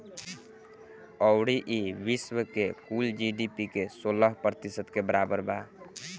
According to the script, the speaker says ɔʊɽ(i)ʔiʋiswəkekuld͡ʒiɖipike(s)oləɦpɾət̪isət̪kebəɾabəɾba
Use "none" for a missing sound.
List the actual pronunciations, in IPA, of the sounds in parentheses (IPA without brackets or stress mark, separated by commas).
i, s